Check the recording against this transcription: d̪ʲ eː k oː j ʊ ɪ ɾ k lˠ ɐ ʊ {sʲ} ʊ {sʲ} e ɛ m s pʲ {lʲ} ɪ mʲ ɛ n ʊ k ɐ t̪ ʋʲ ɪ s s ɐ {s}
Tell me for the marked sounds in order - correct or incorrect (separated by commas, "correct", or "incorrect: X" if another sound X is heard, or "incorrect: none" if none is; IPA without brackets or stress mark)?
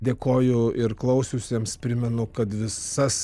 correct, correct, incorrect: ɾʲ, correct